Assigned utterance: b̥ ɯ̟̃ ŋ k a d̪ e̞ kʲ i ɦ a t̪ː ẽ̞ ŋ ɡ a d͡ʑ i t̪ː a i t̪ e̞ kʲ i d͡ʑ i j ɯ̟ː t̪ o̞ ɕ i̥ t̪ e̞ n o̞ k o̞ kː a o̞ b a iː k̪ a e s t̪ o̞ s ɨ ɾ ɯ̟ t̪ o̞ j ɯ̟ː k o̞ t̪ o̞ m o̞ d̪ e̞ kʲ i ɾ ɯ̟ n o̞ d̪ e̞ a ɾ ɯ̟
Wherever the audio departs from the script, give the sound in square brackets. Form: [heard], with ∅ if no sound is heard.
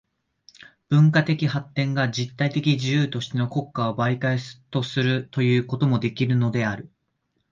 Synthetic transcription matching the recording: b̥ ɯ̟̃ ŋ k a [t̪] e̞ kʲ i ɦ a t̪ː ẽ̞ ŋ ɡ a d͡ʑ i t̪ː a i t̪ e̞ kʲ i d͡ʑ i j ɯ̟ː t̪ o̞ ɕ i̥ t̪ e̞ n o̞ k o̞ kː a o̞ b a [i] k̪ a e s t̪ o̞ s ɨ ɾ ɯ̟ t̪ o̞ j ɯ̟ː k o̞ t̪ o̞ m o̞ d̪ e̞ kʲ i ɾ ɯ̟ n o̞ d̪ e̞ a ɾ ɯ̟